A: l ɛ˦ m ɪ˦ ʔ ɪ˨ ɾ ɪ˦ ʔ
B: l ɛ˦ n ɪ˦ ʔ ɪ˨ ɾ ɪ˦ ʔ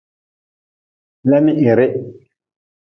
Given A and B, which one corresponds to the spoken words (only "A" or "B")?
A